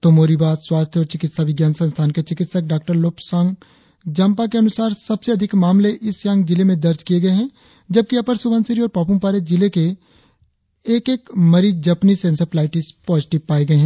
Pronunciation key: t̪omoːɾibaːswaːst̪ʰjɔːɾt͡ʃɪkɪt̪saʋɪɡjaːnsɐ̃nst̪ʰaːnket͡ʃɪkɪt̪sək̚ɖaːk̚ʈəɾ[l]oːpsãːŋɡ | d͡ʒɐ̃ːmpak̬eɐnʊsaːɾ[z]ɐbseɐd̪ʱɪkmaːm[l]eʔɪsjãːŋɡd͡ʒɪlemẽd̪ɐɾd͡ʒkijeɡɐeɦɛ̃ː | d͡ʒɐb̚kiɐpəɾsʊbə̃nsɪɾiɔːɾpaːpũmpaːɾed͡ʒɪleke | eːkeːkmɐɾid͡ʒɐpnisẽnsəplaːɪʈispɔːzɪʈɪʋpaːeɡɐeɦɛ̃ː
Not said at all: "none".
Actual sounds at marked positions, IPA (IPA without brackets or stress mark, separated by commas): l, s, l